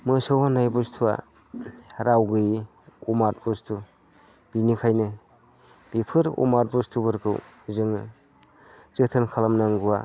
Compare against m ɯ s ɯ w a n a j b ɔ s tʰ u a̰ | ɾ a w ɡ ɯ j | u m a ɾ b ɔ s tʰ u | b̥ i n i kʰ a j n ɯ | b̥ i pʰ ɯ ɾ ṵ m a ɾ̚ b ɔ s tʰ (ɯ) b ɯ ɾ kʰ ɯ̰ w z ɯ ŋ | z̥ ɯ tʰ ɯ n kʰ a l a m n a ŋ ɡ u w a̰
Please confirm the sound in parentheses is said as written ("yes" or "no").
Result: no